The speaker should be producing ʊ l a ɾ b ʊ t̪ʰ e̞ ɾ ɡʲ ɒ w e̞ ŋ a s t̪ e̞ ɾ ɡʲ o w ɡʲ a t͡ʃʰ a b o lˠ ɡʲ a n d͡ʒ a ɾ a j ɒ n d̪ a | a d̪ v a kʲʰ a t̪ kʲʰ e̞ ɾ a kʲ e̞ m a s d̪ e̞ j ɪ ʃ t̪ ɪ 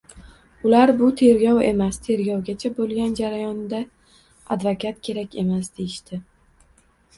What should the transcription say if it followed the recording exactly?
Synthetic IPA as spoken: ʊ l a ɾ b ʊ t̪ʰ e̞ ɾ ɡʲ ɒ w e̞ m a s t̪ʰ e̞ ɾ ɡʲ ɒ w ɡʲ a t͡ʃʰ a b o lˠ ɡʲ a n d͡ʒ a ɾ a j ɒ n d̪ a | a d̪ v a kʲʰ a t̪ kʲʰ e̞ ɾ a kʲ e̞ m a s d̪ e̞ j ɪ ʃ t̪ ɪ